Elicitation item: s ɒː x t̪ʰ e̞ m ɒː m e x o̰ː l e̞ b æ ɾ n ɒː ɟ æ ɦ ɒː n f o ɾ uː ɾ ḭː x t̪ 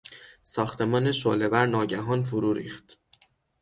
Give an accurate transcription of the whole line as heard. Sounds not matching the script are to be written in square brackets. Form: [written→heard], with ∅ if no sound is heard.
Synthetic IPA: s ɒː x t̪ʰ e̞ m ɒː [m→n] e [x→ʃ] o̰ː l e̞ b æ ɾ n ɒː ɟ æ ɦ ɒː n f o ɾ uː ɾ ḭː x t̪

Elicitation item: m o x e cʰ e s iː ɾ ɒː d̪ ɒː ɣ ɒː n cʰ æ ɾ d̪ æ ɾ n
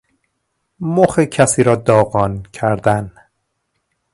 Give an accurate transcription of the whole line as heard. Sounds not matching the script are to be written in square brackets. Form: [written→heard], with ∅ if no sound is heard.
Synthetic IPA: m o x e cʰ [e→æ] s iː ɾ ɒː d̪ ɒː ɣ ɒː n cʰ æ ɾ d̪ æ [ɾ→∅] n

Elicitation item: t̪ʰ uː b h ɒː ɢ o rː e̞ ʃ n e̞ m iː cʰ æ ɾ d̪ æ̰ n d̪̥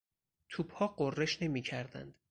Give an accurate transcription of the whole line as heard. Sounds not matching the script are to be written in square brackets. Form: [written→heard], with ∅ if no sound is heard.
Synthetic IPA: t̪ʰ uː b h ɒː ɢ o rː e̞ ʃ n e̞ m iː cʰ æ ɾ d̪ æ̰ n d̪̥

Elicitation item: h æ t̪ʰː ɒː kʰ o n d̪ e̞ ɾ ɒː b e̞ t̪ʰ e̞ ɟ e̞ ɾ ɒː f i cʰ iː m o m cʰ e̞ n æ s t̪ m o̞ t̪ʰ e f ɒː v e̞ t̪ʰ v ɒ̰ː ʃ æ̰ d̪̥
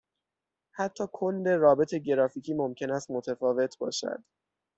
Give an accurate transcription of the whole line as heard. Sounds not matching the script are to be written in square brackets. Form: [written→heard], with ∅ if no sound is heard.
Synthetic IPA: h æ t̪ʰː ɒː kʰ o n d̪ e̞ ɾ ɒː b e̞ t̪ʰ e̞ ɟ e̞ ɾ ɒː f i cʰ iː m o m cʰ e̞ n æ s t̪ m o̞ t̪ʰ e f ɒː v e̞ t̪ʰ [v→b] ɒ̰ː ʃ æ̰ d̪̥

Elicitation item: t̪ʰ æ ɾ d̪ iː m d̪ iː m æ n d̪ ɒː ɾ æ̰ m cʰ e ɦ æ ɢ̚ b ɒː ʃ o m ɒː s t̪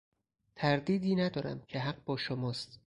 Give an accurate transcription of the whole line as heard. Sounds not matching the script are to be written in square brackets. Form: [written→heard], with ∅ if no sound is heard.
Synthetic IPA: t̪ʰ æ ɾ d̪ iː [m→∅] d̪ iː [m→n] æ [n→∅] d̪ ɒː ɾ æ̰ m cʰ e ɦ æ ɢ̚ b ɒː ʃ o m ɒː s t̪

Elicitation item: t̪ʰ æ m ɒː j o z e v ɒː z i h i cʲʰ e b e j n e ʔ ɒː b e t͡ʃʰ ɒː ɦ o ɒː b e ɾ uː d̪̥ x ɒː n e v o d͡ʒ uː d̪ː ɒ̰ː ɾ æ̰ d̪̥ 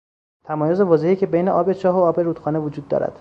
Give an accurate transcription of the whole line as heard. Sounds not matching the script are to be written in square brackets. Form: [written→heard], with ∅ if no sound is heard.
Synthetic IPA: t̪ʰ æ m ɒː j o z e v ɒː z [i→e] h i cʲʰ e b e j n e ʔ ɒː b e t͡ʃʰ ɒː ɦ o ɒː b e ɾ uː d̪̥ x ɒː n e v o d͡ʒ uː d̪ː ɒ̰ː ɾ æ̰ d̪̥

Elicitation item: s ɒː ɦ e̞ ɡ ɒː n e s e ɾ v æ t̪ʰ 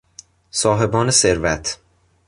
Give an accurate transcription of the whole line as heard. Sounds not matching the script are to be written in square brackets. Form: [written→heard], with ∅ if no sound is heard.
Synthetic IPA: s ɒː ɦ e̞ [ɡ→b] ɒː n e s e ɾ v æ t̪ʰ

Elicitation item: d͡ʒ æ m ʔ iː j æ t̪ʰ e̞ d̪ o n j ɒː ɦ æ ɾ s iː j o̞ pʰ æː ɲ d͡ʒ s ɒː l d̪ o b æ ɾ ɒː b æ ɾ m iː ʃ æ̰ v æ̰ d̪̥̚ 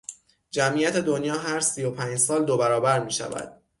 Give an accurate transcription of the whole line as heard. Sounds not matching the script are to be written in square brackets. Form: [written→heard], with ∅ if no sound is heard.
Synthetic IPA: d͡ʒ æ m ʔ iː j æ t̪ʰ e̞ d̪ o n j ɒː ɦ æ ɾ s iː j o̞ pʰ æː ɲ d͡ʒ s ɒː l d̪ o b æ ɾ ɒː b æ ɾ m iː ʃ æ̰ v æ̰ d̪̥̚

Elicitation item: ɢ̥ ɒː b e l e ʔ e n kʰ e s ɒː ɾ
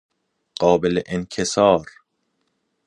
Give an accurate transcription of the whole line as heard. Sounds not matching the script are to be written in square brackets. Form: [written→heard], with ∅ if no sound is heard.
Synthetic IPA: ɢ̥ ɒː b e l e ʔ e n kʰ e s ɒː ɾ

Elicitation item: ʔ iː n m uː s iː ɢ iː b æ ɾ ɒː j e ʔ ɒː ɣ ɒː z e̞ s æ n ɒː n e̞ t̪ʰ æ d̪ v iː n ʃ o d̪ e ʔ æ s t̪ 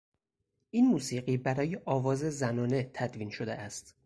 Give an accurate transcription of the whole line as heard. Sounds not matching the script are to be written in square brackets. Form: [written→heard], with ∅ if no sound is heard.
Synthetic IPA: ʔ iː n m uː s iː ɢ iː b æ ɾ ɒː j e ʔ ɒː [ɣ→v] ɒː z e̞ [s→z] æ n ɒː n e̞ t̪ʰ æ d̪ v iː n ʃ o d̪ e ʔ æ s t̪

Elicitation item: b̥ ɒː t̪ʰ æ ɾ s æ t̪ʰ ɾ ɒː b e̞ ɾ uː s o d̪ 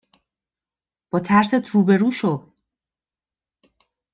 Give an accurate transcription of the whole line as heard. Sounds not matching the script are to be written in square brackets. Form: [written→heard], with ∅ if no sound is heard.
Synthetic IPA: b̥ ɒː t̪ʰ æ ɾ s [æ→e] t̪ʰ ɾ [ɒː→uː] b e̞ ɾ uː [s→ʃ] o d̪

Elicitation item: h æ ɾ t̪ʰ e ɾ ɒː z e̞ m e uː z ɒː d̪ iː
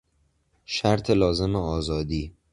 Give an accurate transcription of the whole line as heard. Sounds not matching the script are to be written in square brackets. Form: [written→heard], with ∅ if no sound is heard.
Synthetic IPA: [h→ʃ] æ ɾ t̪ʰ e [ɾ→l] ɒː z e̞ m e [uː→ɒː] z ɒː d̪ iː

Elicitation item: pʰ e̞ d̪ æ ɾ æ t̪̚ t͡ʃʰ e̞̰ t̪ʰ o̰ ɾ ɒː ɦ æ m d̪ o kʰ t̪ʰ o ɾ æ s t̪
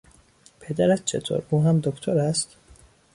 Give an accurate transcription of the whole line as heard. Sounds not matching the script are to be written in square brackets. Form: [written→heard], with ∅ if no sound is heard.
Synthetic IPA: pʰ e̞ d̪ æ ɾ æ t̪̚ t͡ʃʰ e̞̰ t̪ʰ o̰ ɾ [ɒː→uː] ɦ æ m d̪ o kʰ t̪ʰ o ɾ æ s t̪

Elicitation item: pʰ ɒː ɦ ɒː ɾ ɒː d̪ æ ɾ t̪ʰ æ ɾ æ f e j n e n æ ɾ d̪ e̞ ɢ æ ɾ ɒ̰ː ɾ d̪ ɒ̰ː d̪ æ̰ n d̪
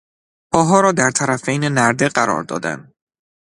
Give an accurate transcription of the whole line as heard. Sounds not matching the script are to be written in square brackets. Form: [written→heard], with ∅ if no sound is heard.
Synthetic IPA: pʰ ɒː ɦ ɒː ɾ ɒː d̪ æ ɾ t̪ʰ æ ɾ æ f e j n e n æ ɾ d̪ e̞ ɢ æ ɾ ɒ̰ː ɾ d̪ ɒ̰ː d̪ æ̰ n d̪

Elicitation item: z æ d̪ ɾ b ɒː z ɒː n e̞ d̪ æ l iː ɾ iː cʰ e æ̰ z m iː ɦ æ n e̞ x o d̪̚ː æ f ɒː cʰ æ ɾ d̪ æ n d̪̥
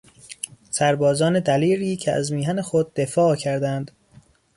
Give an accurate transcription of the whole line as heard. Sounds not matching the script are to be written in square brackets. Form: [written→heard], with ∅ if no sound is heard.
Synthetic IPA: [z→s] æ [d̪→∅] ɾ b ɒː z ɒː n e̞ d̪ æ l iː ɾ iː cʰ e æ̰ z m iː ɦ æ n e̞ x o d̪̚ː [æ→e] f ɒː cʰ æ ɾ d̪ æ n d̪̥

